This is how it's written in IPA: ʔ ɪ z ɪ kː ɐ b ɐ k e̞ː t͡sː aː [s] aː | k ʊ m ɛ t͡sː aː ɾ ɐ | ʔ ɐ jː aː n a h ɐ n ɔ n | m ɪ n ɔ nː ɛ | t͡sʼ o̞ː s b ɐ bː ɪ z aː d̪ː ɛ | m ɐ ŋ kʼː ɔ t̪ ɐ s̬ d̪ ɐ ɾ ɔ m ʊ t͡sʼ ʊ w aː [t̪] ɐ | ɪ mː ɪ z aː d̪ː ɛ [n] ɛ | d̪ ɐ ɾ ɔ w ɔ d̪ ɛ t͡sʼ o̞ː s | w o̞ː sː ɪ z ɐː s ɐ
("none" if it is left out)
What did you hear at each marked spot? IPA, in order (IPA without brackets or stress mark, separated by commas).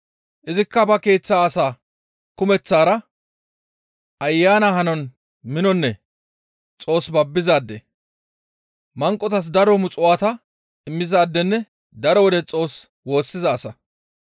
s, t̪, nː